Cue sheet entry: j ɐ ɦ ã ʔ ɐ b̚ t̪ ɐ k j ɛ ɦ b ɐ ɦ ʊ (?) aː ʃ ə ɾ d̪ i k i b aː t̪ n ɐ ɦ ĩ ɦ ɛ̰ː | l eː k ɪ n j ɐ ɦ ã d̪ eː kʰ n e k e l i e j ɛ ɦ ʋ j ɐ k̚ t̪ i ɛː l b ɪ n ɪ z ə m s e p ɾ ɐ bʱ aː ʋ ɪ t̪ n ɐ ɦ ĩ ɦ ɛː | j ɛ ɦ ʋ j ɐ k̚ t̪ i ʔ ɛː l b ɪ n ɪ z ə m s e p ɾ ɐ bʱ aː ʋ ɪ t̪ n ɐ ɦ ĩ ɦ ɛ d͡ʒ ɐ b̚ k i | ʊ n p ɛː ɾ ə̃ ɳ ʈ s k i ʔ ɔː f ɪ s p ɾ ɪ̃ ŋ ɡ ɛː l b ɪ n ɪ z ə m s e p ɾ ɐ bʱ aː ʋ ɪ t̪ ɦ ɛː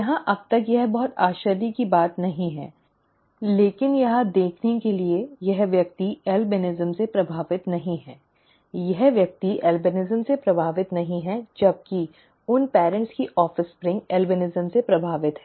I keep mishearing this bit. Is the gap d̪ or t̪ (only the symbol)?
t̪